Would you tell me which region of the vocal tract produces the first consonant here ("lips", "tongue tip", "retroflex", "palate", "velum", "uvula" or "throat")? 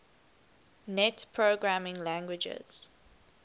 tongue tip